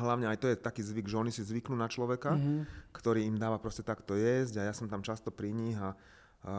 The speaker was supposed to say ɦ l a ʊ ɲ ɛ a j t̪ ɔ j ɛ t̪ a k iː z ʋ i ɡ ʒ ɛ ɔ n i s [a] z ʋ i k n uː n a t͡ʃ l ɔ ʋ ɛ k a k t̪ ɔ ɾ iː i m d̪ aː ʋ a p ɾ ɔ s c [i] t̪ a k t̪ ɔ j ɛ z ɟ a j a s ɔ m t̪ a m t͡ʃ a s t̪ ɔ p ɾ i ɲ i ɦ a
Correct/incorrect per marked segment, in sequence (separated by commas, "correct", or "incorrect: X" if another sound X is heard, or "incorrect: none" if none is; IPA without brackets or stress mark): incorrect: i, incorrect: ɛ